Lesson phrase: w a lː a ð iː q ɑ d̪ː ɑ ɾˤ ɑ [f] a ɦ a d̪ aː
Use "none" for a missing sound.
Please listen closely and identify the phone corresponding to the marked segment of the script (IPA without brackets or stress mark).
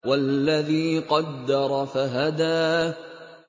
f